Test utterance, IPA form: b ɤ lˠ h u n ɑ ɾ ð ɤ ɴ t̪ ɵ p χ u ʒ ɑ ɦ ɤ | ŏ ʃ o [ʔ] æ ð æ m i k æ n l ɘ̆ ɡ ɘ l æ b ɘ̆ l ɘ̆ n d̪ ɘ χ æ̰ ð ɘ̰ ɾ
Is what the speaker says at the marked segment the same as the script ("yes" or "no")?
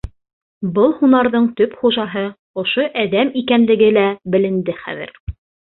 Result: yes